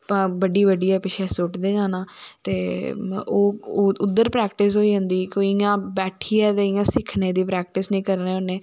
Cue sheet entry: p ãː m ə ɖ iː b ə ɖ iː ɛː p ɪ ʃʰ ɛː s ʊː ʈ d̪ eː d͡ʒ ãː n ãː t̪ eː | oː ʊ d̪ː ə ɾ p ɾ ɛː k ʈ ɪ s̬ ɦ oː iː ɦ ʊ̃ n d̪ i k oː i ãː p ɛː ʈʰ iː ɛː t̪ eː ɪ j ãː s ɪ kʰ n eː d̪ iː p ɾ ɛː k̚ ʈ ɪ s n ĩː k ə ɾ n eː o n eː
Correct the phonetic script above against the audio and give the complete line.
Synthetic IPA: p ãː b ə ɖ iː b ə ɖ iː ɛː p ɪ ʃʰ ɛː s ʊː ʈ d̪ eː d͡ʒ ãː n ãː t̪ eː | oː ʊ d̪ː ə ɾ p ɾ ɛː k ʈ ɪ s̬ ɦ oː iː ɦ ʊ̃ n d̪ iː k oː i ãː b ɛː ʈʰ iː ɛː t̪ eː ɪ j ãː s ɪ kʰ n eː d̪ iː p ɾ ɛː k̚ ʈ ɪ s n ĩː k ə ɾ n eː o n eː